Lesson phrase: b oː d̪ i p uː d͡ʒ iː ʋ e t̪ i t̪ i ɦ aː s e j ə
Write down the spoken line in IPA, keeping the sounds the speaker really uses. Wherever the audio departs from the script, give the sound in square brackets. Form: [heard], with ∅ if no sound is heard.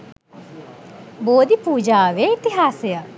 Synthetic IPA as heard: b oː d̪ i p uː d͡ʒ [aː] ʋ e [∅] i t̪ i ɦ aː s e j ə